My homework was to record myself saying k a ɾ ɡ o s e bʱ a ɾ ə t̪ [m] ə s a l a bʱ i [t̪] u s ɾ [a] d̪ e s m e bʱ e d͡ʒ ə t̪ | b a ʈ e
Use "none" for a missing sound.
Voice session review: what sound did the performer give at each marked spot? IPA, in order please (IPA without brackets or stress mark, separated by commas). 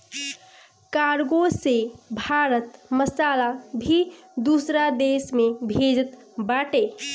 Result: m, d̪, a